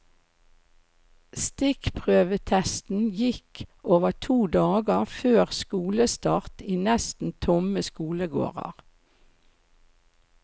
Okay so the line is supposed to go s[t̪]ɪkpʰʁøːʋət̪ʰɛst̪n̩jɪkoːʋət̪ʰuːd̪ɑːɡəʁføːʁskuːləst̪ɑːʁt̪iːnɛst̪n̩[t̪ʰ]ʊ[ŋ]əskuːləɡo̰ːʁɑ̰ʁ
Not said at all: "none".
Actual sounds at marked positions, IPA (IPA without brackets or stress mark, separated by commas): t̪, t̪ʰ, m